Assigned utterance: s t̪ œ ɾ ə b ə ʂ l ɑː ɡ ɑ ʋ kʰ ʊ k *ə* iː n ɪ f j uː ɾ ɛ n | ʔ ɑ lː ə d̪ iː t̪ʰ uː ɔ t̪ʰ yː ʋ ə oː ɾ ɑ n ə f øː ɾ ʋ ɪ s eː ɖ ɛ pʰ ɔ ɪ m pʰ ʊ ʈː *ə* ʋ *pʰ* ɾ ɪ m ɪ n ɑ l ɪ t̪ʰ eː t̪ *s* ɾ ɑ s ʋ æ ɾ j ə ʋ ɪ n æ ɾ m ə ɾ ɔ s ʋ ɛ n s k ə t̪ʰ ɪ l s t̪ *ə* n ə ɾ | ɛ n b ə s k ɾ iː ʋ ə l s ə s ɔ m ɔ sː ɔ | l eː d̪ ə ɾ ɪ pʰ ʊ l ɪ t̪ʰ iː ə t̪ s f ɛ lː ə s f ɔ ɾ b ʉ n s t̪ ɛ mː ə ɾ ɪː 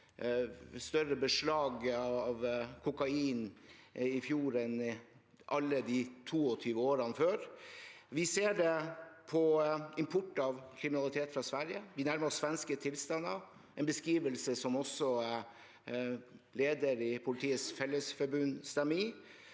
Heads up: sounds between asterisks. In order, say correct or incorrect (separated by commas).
incorrect, incorrect, incorrect, incorrect, incorrect